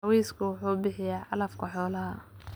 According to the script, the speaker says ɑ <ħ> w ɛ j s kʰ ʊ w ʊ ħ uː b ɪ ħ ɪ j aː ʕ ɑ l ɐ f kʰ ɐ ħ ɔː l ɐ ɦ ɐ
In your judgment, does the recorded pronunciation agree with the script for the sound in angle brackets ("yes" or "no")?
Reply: no